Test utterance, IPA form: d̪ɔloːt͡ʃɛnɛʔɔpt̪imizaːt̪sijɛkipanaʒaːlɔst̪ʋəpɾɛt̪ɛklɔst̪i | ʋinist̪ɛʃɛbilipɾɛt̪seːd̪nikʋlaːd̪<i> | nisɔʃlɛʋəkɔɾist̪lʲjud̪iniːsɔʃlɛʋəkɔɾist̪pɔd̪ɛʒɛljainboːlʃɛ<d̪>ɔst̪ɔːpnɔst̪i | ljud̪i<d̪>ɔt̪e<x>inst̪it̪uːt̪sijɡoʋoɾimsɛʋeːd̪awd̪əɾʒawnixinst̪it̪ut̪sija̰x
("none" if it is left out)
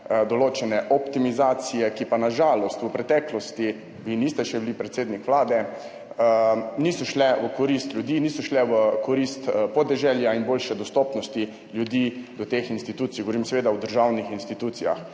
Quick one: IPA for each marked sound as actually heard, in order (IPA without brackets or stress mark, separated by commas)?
ɛ, d̪, d̪, x